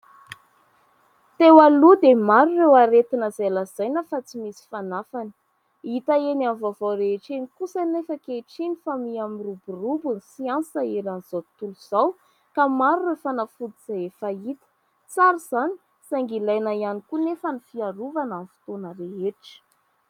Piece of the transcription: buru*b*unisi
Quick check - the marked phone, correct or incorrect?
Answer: correct